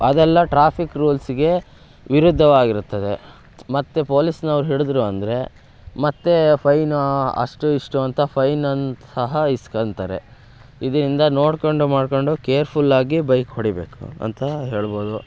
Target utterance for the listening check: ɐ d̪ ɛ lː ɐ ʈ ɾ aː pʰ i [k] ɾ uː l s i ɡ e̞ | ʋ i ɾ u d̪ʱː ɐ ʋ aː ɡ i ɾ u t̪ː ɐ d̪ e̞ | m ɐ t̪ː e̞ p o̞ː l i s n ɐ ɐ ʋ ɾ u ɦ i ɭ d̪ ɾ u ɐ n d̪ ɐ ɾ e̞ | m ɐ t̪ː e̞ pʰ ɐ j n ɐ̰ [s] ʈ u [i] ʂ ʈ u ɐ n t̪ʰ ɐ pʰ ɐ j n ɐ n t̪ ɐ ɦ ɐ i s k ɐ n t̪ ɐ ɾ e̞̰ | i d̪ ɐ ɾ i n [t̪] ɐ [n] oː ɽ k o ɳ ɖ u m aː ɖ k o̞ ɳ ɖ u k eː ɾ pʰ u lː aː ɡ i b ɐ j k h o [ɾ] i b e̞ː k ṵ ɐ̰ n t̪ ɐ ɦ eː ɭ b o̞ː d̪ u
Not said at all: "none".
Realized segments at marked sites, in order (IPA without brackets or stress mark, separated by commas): k, ʂ, i, d̪, n, ɽ